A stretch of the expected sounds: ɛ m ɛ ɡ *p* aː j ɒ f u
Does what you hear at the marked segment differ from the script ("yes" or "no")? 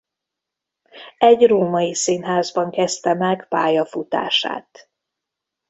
no